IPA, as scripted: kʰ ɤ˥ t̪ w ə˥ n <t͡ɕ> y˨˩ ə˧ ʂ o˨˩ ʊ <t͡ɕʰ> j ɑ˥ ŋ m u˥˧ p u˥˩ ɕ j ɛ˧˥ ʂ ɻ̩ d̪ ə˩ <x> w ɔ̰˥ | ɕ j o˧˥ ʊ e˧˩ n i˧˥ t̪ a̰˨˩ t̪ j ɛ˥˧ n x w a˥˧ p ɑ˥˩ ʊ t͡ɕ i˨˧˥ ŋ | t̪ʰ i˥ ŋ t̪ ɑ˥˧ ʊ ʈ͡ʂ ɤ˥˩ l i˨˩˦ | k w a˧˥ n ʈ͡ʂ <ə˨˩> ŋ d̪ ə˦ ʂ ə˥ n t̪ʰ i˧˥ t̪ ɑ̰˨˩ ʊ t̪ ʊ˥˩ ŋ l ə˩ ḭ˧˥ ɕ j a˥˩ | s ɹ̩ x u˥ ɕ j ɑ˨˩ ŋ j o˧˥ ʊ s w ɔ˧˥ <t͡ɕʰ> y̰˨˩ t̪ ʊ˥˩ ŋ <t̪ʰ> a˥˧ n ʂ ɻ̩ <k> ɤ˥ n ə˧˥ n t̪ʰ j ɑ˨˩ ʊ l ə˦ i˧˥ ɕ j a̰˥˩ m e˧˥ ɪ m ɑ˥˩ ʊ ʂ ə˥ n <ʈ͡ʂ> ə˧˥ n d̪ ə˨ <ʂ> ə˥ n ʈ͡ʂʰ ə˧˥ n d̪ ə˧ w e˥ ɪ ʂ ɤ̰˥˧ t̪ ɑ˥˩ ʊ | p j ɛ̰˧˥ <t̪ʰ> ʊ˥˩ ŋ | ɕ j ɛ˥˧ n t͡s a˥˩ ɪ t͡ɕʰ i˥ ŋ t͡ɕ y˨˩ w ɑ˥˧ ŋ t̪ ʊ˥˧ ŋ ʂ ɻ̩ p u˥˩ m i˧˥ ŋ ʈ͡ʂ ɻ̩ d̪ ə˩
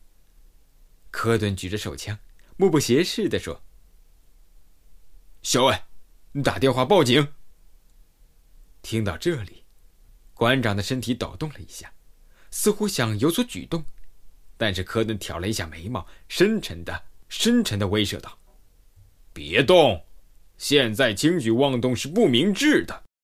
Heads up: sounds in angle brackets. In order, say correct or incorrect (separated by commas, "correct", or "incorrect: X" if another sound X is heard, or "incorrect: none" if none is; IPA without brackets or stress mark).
correct, correct, incorrect: ʂ, incorrect: ɑ˨˩, incorrect: t͡ɕ, incorrect: t̪, incorrect: kʰ, incorrect: ʈ͡ʂʰ, correct, incorrect: t̪